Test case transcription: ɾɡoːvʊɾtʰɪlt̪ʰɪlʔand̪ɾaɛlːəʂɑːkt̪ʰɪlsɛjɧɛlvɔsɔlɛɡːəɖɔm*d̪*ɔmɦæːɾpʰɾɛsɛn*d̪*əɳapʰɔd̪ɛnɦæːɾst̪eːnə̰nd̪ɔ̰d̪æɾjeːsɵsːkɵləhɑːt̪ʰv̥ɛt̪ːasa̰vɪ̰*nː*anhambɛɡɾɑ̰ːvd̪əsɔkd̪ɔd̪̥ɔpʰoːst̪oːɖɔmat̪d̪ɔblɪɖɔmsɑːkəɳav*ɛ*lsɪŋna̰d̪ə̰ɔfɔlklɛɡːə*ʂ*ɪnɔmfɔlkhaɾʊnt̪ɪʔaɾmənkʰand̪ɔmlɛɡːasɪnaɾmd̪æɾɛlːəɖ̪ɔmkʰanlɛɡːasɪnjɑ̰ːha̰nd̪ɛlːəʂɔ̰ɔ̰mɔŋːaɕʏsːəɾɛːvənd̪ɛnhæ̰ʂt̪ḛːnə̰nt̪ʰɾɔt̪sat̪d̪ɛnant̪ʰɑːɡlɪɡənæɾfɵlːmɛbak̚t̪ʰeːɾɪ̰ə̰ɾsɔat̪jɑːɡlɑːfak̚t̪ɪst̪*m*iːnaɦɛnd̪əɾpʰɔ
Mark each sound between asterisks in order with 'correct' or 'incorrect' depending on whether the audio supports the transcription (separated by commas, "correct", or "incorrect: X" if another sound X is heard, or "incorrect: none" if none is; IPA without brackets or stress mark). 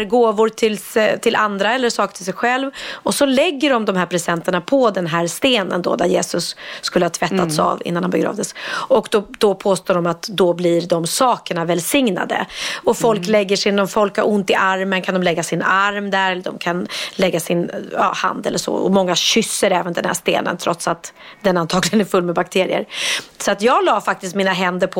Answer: correct, incorrect: t̪, correct, correct, correct, correct